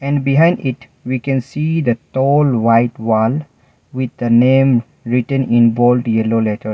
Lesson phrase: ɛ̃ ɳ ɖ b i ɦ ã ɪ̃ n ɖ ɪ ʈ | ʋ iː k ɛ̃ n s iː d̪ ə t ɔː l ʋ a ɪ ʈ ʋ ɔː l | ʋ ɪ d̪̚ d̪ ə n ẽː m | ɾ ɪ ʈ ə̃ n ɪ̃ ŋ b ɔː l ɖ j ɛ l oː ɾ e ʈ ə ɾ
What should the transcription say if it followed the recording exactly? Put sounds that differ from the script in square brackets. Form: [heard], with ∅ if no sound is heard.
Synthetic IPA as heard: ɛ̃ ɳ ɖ b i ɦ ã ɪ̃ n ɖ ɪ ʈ | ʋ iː k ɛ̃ n s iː d̪ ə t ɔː l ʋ a ɪ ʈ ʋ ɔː l | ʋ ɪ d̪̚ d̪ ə n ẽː m | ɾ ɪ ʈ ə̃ n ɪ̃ [n] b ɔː l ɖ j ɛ l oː [l] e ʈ ə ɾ